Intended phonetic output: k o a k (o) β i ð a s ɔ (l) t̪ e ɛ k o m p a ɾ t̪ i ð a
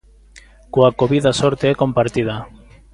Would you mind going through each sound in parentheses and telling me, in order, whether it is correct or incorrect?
correct, incorrect: ɾ

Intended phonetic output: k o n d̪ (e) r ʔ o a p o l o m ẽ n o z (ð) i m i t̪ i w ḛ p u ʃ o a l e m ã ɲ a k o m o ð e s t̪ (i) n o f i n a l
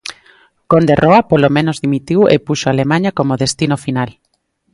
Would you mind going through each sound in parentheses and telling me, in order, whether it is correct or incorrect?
correct, correct, correct

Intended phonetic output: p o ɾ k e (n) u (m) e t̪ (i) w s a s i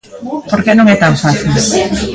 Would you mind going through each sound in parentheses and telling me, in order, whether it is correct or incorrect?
correct, incorrect: ŋ, incorrect: a

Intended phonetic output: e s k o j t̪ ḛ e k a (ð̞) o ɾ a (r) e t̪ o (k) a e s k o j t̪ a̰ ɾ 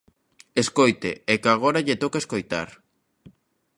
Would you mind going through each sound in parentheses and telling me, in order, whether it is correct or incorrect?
incorrect: ɣ̞, incorrect: ʎ, correct

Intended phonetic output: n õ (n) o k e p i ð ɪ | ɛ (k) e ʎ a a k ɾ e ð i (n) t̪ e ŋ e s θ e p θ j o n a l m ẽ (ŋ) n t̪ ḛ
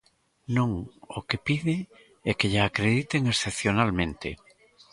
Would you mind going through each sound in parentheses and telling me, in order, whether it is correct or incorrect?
incorrect: ŋ, correct, incorrect: none, incorrect: none

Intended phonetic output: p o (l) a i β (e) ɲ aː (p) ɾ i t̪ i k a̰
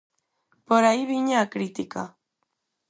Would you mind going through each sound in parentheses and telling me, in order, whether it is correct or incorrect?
incorrect: ɾ, incorrect: i, incorrect: k

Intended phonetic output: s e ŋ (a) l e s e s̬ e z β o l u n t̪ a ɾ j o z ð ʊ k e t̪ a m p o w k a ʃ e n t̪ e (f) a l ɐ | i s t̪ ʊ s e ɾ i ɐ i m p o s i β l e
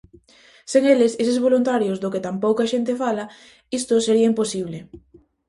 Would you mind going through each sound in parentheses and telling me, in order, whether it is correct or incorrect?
incorrect: e, correct

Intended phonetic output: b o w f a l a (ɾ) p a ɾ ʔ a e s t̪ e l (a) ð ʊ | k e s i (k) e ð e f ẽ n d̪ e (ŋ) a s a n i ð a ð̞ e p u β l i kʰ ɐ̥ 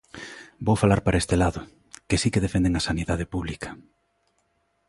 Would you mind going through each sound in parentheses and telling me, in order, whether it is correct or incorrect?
correct, correct, correct, correct

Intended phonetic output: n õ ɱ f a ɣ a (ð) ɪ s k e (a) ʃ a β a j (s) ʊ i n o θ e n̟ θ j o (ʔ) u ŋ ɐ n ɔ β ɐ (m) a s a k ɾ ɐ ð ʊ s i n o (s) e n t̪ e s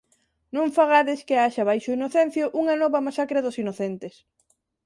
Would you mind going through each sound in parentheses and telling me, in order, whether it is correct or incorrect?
correct, correct, incorrect: ʃ, correct, correct, incorrect: θ

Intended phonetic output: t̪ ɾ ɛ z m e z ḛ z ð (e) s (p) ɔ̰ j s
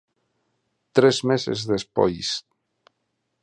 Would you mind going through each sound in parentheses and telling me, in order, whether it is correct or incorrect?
correct, correct

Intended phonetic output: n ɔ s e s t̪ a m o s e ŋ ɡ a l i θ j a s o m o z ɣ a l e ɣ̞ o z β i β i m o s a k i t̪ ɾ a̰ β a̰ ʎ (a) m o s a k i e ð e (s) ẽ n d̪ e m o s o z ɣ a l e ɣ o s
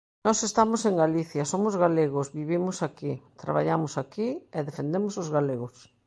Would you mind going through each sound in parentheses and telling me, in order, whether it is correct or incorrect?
correct, incorrect: f

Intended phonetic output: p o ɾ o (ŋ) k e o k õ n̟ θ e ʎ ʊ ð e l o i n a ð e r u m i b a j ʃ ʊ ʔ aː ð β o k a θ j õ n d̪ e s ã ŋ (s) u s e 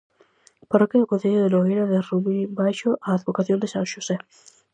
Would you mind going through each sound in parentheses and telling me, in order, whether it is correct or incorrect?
incorrect: none, incorrect: ʃ

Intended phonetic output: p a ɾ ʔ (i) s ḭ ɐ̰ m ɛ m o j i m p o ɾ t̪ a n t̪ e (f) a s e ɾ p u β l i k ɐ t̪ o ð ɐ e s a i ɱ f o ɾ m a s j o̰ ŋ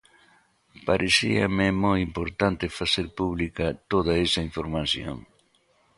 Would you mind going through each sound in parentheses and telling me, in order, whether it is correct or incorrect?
incorrect: e, correct

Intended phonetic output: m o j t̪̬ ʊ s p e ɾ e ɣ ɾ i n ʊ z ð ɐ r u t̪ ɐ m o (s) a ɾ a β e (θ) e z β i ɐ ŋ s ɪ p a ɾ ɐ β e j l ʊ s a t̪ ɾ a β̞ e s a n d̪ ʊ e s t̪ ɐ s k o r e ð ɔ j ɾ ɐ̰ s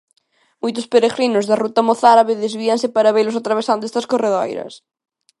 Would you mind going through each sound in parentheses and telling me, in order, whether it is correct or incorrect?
incorrect: θ, incorrect: ð

